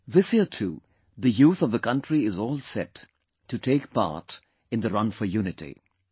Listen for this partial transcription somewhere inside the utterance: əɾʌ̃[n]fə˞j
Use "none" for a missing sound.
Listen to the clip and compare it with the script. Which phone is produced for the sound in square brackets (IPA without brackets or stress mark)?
n